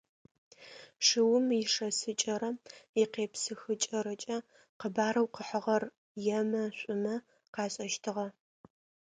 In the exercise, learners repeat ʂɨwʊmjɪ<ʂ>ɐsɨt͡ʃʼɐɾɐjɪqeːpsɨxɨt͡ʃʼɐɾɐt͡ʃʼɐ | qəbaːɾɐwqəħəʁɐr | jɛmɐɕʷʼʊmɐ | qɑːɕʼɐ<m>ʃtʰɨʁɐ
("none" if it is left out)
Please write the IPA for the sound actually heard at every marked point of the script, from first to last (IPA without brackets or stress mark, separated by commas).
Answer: ʂ, none